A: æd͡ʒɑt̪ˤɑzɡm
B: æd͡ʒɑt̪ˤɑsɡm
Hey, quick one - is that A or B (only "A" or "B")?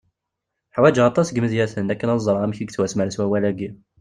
B